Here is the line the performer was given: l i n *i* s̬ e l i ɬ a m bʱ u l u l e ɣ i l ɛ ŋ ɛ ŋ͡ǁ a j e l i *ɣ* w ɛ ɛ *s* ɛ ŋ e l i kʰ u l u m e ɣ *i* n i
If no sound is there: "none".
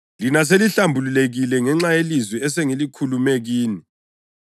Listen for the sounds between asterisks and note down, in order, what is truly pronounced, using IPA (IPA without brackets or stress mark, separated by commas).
a, z, s, iː